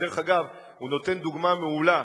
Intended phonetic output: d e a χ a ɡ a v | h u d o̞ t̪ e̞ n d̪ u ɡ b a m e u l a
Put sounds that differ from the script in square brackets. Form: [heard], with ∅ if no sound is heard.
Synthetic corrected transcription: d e [e] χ a ɡ a v | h u [n] o̞ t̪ e̞ n d̪ u ɡ [m] a m e u l a